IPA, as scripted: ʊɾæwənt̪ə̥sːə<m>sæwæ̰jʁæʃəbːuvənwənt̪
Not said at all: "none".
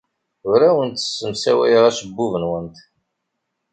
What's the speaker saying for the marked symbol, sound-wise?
m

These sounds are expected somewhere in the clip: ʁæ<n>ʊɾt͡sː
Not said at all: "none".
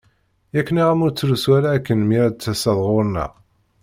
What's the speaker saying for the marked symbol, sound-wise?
m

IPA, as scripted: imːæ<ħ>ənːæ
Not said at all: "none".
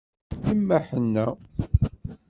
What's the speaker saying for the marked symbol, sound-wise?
ħ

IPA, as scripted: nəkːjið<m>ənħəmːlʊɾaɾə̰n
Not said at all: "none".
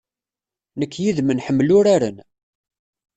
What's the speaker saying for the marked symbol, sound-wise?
m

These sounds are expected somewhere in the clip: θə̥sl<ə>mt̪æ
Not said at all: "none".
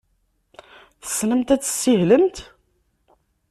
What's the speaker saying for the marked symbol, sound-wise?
ə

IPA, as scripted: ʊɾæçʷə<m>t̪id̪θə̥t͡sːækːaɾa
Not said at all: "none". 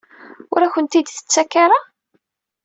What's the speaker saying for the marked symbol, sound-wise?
n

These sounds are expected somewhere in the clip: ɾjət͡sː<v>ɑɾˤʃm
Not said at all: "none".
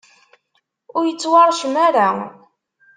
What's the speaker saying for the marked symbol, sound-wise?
w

